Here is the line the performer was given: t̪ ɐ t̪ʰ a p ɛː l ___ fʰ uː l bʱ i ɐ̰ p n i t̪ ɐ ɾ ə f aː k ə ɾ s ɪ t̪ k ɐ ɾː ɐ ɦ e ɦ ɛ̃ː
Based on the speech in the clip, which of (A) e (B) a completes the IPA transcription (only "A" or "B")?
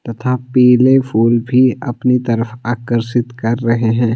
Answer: A